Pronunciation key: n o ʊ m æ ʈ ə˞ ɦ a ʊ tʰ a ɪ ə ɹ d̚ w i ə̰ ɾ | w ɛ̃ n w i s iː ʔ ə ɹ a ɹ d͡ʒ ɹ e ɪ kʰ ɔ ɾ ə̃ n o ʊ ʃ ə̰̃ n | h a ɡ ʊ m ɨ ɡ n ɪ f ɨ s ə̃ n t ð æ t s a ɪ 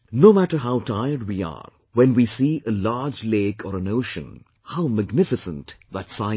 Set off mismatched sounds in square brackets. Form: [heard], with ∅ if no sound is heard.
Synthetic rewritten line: n o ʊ m æ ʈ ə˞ ɦ a ʊ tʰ a ɪ ə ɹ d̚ w i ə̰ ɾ | w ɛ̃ n w i s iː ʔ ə [l] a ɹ d͡ʒ [l] e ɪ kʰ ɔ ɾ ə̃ n o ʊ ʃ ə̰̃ n | h a [∅] ʊ m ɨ ɡ n ɪ f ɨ s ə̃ n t ð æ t s a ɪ